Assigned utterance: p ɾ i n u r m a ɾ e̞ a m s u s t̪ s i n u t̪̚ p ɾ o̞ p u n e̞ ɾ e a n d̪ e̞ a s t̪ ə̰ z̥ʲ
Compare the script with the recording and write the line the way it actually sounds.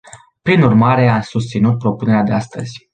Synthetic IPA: p ɾ i n u r m a ɾ e̞ a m s u s t̪ s i n u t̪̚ p ɾ o̞ p u n e̞ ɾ e a d̪ e̞ a s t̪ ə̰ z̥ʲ